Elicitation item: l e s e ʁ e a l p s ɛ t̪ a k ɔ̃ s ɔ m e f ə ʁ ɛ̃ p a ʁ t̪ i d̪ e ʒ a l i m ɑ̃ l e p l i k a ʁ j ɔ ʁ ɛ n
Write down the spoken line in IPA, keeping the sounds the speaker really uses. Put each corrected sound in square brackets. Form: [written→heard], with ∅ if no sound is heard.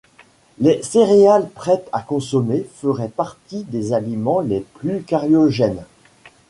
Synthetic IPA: l e s e ʁ e a l p [s→χ] ɛ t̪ a k ɔ̃ s ɔ m e f ə ʁ [ɛ̃→ɛ] p a ʁ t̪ i d̪ e [ʒ→z] a l i m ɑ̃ l e p l [i→y] k a ʁ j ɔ [ʁ→ʒ] ɛ n